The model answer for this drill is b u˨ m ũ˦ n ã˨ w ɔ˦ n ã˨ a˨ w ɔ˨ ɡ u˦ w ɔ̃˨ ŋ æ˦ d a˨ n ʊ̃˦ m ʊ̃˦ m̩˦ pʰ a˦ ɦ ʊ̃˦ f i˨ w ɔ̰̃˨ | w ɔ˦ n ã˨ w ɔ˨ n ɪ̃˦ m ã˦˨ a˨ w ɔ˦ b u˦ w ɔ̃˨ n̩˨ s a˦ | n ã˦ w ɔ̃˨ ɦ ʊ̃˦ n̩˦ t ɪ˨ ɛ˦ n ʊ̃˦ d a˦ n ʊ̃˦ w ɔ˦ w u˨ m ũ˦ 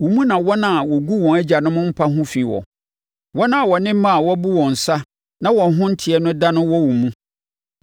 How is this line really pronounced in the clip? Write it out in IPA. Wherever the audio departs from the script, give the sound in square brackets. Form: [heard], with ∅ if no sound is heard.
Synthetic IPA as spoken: [w] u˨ m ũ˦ n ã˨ w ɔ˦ n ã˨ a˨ w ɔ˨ ɡ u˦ w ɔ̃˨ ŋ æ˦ [d͡ʑ] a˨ n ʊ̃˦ m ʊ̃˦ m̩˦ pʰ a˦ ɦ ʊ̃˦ f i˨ w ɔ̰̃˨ | w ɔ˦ n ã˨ w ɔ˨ n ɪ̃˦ m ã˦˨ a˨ w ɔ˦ b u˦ w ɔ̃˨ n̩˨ s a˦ | n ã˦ w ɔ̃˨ ɦ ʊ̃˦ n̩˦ [tʰ] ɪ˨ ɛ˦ n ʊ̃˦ d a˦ n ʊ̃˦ w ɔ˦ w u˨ m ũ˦